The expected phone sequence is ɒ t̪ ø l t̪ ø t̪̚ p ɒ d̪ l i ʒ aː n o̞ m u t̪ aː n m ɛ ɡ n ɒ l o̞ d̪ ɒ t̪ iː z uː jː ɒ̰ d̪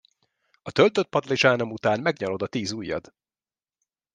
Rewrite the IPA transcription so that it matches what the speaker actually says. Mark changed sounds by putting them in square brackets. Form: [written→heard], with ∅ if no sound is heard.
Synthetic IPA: ɒ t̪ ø l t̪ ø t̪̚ p ɒ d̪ l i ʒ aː n o̞ m u t̪ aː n m ɛ ɡ [n→ɲ] ɒ l o̞ d̪ ɒ t̪ iː z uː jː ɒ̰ d̪